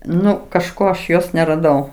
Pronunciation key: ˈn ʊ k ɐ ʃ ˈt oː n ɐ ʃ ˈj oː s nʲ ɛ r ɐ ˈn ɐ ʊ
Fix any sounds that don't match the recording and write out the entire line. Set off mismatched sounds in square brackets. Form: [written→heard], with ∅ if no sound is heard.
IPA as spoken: ˈn ʊ k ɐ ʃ [ˈt→ˈk] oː [n→∅] ɐ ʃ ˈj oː s nʲ ɛ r ɐ [ˈn→ˈd] ɐ ʊ